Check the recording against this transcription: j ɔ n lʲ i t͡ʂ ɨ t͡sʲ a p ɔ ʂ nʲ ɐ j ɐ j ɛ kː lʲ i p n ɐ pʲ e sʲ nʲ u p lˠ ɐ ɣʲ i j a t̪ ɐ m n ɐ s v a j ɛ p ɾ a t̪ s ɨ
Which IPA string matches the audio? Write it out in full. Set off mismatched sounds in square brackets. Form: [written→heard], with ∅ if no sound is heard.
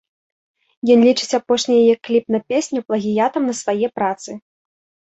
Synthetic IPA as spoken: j ɔ n lʲ i t͡ʂ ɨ t͡sʲ a p ɔ ʂ nʲ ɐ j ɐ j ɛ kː lʲ i p n ɐ pʲ e sʲ nʲ u p lˠ ɐ ɣʲ i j a t̪ ɐ m n ɐ s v a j ɛ p ɾ a t̪ s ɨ